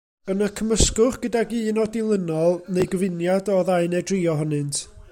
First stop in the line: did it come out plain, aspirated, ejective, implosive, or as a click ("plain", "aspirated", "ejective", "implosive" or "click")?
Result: aspirated